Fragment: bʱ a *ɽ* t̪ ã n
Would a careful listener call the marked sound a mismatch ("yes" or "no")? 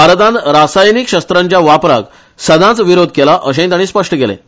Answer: yes